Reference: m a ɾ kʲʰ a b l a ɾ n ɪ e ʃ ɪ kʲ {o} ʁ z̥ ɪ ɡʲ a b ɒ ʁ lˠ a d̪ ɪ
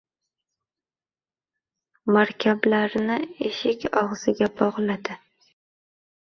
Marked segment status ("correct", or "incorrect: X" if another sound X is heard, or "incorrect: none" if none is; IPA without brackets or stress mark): incorrect: ɒ